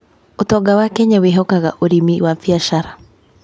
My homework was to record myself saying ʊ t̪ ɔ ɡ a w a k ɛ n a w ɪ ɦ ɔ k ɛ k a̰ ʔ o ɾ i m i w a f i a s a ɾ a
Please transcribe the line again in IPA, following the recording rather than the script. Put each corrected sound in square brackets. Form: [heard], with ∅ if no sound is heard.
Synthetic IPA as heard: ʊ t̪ ɔ ɡ a w a k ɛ [ɲ] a w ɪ ɦ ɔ k [a] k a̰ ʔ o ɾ i m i w a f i a [ʃ] a ɾ a